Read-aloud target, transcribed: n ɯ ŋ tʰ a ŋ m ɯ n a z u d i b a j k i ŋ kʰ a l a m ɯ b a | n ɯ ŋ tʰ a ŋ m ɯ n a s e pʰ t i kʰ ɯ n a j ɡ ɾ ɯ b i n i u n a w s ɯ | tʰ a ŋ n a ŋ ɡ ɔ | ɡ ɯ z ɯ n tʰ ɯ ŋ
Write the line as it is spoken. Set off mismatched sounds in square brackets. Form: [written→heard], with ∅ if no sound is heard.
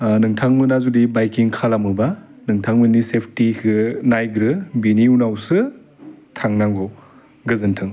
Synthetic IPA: n ɯ ŋ tʰ a ŋ m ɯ n a z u d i b a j k i ŋ kʰ a l a m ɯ b a | n ɯ ŋ tʰ a ŋ m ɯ n [a→i] s e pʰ t i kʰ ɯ n a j ɡ ɾ ɯ b i n i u n a w s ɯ | tʰ a ŋ n a ŋ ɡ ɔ | ɡ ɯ z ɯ n tʰ ɯ ŋ